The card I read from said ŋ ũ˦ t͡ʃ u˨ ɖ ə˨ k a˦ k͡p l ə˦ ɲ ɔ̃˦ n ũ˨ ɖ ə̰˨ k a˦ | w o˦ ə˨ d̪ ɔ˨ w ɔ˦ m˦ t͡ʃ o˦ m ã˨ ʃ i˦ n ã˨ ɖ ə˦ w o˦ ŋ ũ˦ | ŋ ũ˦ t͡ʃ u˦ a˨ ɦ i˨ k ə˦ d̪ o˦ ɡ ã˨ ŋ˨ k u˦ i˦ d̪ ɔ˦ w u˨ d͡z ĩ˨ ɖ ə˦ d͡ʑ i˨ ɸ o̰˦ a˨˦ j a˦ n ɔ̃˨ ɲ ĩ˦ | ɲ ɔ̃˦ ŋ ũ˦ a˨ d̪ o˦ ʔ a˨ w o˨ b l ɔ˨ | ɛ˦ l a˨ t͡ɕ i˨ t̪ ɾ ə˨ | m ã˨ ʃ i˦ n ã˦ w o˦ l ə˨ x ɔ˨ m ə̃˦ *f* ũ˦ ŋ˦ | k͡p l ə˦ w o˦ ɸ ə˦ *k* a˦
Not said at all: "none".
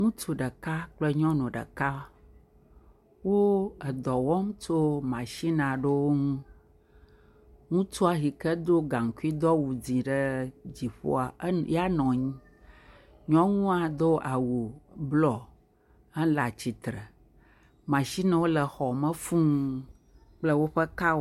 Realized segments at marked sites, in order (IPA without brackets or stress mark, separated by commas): f, k